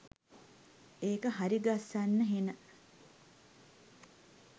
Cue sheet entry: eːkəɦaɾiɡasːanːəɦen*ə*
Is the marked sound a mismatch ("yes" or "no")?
no